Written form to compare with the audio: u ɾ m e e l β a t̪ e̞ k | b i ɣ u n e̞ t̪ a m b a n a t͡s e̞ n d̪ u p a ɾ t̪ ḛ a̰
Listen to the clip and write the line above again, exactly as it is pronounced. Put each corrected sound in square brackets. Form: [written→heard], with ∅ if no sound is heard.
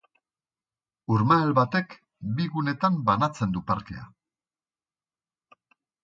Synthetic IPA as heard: u ɾ m [e→a] e l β a t̪ e̞ k | b i ɣ u n e̞ t̪ a m b a n a t͡s e̞ n d̪ u p a ɾ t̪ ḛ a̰